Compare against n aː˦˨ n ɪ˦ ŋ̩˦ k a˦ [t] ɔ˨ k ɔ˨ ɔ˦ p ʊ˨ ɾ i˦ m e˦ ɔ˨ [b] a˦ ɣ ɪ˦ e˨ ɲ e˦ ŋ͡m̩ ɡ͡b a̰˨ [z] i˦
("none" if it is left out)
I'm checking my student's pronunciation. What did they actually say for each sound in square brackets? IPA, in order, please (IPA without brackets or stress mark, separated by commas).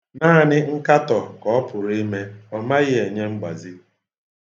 t, m, z